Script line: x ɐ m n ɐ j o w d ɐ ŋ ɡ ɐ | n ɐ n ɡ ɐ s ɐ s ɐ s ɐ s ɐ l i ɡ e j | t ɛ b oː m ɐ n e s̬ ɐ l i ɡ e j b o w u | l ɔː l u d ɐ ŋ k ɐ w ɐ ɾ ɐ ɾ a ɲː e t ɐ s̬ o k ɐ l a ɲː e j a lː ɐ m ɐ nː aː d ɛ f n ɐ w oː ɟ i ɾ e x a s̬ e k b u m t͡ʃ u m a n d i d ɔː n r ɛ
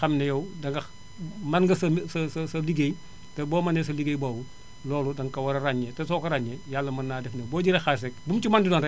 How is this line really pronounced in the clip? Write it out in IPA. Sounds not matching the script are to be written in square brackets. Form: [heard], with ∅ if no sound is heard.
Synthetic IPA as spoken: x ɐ m n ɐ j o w d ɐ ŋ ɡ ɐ | [m] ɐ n ɡ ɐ s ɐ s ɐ s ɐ s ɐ l i ɡ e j | t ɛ b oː m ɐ n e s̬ ɐ l i ɡ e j b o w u | l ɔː l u d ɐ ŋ k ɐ w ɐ ɾ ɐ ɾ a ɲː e t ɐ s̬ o k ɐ [ɾ] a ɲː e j a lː ɐ m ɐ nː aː d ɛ f n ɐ [b] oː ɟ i ɾ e x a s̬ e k b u m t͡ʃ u m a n d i d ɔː n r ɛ